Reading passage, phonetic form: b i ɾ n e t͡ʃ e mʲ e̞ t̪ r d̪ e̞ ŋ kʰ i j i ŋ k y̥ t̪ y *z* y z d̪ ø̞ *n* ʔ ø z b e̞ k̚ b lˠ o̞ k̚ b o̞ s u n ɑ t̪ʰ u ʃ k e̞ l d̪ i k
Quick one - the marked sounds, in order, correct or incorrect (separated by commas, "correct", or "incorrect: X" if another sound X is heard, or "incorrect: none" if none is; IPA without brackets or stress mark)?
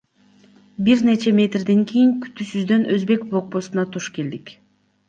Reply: incorrect: s, correct